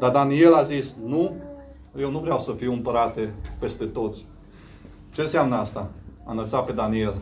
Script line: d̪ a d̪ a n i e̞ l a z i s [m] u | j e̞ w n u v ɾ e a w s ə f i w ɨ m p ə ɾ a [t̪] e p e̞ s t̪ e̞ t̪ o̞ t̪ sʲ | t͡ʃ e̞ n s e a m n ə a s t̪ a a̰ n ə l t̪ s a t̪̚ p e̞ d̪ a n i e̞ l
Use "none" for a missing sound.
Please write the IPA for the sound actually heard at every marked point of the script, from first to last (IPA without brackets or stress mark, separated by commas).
n, t̪